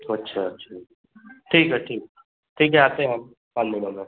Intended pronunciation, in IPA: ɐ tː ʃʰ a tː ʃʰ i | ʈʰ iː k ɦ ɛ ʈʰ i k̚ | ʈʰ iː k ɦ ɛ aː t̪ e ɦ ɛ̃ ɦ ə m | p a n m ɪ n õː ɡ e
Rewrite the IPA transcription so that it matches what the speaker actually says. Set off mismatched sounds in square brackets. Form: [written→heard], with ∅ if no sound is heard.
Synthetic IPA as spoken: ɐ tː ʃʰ a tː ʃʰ [i→a] | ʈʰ iː k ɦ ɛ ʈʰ [i→iː] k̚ | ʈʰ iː k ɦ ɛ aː t̪ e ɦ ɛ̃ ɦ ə m | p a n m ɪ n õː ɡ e